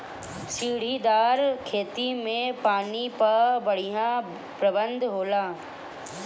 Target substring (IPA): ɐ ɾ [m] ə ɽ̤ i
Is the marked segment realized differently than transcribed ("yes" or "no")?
yes